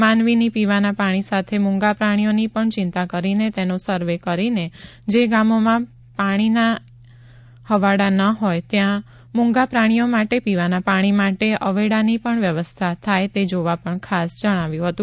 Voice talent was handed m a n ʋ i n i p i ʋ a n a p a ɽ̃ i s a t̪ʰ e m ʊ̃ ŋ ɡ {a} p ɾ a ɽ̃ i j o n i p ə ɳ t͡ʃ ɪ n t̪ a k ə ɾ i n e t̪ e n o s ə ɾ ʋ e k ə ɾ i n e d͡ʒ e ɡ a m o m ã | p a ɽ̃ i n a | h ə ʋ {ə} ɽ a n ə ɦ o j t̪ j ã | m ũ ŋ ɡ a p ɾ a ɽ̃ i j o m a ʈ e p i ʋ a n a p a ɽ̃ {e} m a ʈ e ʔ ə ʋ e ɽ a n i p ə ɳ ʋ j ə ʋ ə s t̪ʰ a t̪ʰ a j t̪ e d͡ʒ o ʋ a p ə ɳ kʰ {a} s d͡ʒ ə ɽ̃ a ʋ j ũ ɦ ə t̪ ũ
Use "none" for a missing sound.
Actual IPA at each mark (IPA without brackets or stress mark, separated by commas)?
a, a, i, a